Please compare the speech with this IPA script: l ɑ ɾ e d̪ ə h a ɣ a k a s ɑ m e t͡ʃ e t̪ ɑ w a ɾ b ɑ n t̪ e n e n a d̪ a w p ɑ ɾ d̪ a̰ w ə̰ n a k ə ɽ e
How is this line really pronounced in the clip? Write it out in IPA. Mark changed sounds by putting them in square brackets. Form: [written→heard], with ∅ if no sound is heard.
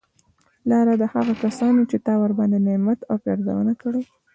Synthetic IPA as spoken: l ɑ ɾ [e→a] d̪ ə h a ɣ a k a s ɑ [m→n] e t͡ʃ e t̪ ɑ w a ɾ b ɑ n [t̪→d̪] e n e [n→m] a [d̪→t̪] a w p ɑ ɾ d̪ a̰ w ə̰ n a k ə ɽ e